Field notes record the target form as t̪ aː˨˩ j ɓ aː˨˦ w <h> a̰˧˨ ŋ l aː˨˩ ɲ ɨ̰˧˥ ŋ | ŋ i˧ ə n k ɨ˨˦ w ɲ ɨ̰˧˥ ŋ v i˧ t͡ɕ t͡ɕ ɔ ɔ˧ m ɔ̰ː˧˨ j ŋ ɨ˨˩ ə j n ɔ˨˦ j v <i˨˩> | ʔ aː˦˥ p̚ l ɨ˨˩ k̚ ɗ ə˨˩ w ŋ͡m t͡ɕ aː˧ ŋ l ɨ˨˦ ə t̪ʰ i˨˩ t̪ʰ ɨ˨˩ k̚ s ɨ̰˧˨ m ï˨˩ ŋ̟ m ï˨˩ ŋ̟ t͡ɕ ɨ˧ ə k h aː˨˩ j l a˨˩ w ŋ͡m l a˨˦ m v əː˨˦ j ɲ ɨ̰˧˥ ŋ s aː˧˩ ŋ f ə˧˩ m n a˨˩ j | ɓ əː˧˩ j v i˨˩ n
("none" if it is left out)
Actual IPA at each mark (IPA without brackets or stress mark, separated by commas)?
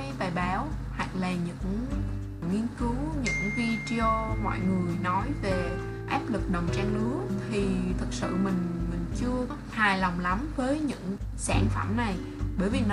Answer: h, e˨˩